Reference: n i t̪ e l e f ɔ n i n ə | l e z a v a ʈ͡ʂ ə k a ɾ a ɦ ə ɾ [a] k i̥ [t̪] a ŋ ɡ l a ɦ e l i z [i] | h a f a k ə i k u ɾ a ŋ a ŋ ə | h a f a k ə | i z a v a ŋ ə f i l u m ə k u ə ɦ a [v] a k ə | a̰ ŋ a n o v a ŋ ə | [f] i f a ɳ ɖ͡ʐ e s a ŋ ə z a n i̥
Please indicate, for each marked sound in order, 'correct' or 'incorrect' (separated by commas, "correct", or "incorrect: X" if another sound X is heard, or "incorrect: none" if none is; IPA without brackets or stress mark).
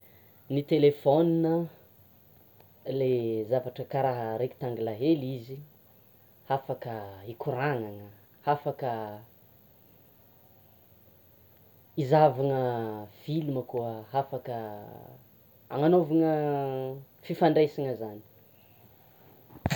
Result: incorrect: e, correct, correct, incorrect: f, correct